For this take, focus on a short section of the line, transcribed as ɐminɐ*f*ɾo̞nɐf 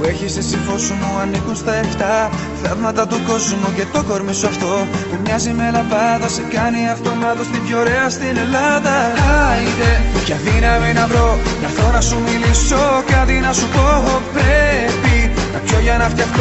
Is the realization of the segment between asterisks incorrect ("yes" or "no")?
yes